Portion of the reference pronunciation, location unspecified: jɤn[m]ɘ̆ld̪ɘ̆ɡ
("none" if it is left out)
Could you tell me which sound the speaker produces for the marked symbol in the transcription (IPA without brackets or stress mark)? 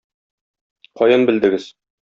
b